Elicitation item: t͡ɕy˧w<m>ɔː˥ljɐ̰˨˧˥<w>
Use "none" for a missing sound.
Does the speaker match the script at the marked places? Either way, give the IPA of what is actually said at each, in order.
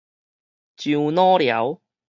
n, w

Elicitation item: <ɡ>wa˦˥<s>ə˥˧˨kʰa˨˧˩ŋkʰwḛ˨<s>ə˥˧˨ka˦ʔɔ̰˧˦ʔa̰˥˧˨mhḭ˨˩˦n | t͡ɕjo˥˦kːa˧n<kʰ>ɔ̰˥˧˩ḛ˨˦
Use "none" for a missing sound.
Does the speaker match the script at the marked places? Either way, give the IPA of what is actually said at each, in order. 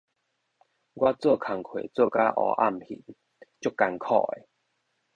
ɡ, t͡s, t͡s, kʰ

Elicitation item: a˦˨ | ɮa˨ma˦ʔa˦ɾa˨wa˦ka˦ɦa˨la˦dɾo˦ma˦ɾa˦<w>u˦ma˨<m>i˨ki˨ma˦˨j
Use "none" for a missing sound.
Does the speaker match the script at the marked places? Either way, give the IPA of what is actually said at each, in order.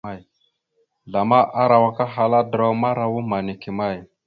w, n

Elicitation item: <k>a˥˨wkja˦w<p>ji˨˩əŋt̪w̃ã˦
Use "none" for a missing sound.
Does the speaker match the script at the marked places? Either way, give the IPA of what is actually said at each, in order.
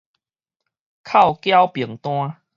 kʰ, p

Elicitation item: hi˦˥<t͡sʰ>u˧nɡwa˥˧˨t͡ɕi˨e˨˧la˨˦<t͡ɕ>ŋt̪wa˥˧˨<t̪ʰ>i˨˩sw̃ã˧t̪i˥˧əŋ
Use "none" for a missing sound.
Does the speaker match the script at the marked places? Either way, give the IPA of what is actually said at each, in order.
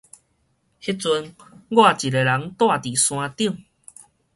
t͡s, none, t̪

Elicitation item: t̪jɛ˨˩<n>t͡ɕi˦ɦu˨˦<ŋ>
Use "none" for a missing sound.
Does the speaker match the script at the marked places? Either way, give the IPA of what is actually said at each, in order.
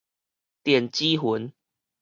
n, n

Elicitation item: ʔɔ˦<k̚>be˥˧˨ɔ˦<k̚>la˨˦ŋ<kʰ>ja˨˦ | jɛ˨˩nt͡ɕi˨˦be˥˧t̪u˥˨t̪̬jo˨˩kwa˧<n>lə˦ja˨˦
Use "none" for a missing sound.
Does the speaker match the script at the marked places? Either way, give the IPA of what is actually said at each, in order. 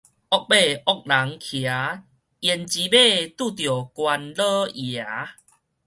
k̚, k̚, kʰ, n

